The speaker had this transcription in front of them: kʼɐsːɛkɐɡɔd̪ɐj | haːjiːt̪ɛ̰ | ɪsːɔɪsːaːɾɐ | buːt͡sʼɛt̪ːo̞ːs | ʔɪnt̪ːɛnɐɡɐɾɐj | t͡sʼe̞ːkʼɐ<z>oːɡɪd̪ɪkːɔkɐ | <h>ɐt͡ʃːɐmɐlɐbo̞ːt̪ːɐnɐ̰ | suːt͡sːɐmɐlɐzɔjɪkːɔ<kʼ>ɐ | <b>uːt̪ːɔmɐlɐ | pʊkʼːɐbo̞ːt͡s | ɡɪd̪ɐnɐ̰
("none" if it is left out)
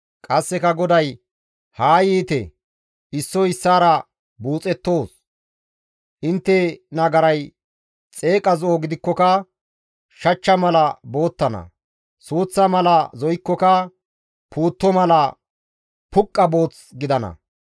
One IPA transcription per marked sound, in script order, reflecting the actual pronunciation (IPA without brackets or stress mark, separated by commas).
z, ʃ, k, p